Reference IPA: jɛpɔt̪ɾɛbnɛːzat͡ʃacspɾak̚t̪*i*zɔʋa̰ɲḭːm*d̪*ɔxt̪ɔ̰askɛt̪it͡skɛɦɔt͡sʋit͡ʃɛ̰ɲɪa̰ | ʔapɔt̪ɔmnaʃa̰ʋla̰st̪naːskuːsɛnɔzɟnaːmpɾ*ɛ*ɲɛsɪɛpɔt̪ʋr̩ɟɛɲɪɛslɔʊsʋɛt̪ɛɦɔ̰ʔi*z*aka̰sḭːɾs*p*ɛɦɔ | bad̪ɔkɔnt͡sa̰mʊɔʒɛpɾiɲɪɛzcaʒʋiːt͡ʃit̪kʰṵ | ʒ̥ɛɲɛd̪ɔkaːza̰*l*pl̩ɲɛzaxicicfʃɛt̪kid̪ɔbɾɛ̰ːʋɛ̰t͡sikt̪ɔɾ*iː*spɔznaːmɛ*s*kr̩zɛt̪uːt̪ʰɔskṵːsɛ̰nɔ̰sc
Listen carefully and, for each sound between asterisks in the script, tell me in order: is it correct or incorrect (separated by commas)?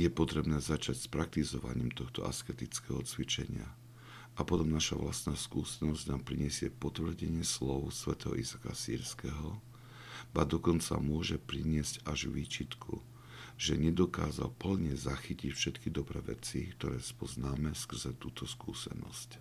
correct, incorrect, incorrect, correct, incorrect, correct, incorrect, correct